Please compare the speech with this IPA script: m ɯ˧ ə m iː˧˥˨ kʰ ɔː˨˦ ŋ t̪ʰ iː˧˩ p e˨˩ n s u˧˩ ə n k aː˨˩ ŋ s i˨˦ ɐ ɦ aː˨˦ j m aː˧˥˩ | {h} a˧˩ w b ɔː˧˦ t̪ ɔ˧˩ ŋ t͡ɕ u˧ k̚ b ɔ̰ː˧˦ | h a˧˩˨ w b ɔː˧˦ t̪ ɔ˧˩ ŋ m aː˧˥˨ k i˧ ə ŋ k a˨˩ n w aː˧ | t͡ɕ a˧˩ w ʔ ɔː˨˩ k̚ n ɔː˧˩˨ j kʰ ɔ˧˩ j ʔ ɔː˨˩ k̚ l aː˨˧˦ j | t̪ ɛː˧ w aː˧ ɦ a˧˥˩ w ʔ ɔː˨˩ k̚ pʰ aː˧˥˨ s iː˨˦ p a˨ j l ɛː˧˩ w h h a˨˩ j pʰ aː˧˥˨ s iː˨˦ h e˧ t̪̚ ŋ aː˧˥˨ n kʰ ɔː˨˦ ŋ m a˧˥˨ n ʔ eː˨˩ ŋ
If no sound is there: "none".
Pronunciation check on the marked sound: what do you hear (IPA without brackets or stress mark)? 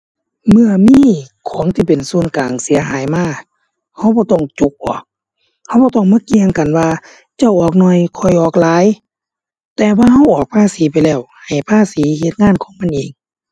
h